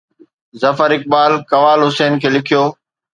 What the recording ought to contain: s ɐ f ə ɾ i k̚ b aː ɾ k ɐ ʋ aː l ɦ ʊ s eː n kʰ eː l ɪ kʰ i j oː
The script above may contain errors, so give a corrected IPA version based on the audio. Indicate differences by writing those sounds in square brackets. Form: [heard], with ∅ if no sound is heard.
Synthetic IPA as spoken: [z] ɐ f ə ɾ [ɪ] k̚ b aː [l] k ɐ ʋ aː l ɦ ʊ s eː n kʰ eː l ɪ kʰ i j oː